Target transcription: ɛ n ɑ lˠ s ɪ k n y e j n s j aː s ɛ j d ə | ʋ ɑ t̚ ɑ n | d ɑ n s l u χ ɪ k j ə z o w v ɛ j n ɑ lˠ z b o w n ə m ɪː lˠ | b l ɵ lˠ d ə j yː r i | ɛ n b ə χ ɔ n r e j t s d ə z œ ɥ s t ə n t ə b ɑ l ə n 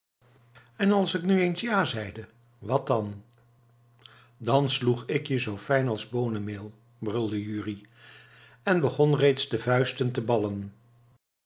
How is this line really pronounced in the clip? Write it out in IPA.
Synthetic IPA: ɛ n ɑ lˠ s ɪ k n y e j n s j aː z ɛ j d ə | ʋ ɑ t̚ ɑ n | d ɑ n s l u χ ɪ k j ə z o w f ɛ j n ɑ lˠ z b o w n ə m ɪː lˠ | b r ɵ lˠ d ə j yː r i | ɛ n b ə χ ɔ n r e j t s d ə v œ ɥ s t ə n t ə b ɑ l ə n